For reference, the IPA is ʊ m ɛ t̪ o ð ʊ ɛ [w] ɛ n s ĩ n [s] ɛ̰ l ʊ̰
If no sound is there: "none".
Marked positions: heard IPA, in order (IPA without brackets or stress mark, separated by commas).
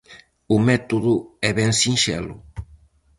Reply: β, ʃ